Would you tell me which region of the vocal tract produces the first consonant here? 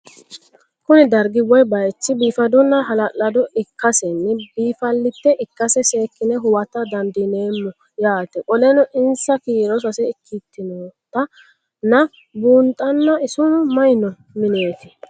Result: velum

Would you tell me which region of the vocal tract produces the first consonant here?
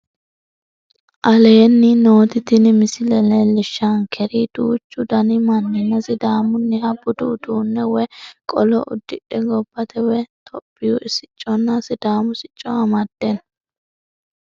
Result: throat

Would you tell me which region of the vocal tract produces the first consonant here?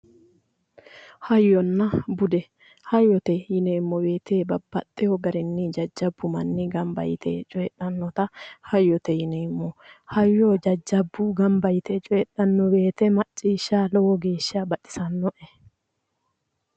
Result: throat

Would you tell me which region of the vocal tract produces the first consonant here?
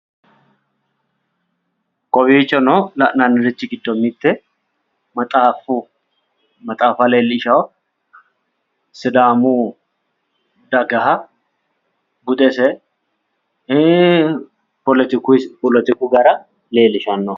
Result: velum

